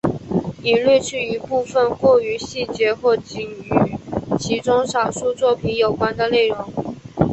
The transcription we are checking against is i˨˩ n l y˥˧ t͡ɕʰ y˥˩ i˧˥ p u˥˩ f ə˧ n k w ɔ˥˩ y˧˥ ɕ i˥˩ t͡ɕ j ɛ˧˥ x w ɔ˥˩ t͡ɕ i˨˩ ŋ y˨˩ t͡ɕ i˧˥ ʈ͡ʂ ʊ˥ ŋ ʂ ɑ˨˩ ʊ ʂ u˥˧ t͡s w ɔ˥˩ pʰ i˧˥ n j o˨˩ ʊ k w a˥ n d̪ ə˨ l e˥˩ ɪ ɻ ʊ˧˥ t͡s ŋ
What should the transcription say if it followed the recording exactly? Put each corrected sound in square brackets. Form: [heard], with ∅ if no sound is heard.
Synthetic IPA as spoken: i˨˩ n l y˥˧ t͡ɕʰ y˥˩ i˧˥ p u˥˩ f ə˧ n k w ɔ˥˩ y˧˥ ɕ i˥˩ t͡ɕ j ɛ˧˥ x w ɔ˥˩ t͡ɕ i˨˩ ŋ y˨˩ [t͡ɕʰ] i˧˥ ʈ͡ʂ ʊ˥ ŋ ʂ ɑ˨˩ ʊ ʂ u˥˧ t͡s w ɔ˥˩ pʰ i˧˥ n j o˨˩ ʊ k w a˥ n d̪ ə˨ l e˥˩ ɪ ɻ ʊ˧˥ [∅] ŋ